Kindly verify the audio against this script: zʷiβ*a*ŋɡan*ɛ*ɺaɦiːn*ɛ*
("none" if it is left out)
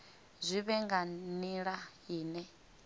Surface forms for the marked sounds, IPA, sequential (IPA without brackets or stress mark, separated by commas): ɛ, i, ɛ